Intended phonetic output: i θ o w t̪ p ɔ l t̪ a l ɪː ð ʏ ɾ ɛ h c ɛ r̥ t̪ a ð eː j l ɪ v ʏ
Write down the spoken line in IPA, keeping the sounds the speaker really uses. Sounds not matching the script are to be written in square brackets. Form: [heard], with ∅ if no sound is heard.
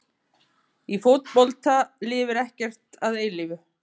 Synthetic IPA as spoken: i [f] o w t̪ p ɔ l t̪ a l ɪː [v] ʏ ɾ ɛ h c ɛ r̥ t̪ a ð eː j l ɪ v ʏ